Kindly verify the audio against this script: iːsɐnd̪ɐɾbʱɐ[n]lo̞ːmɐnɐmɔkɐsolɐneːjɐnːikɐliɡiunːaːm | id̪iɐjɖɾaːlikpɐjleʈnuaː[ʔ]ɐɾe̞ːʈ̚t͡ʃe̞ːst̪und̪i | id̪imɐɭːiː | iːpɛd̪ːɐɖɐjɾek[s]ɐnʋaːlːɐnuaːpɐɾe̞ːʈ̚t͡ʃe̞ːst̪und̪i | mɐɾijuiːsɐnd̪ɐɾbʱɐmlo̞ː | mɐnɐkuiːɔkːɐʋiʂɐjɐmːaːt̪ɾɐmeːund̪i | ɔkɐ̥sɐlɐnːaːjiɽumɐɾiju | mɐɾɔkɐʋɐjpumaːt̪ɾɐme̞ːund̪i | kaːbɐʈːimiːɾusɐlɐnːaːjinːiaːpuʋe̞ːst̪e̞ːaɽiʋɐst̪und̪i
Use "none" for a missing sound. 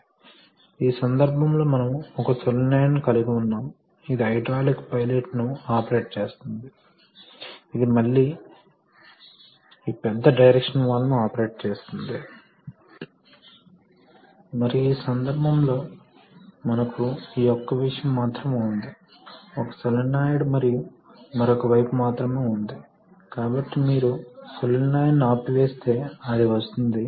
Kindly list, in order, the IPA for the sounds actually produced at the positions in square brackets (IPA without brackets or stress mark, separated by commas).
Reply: m, p, ʂ